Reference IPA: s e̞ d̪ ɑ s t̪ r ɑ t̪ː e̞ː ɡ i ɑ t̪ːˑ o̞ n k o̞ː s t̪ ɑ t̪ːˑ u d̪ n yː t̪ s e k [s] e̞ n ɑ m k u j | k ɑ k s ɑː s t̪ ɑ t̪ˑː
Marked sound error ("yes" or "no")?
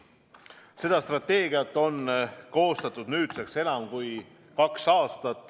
no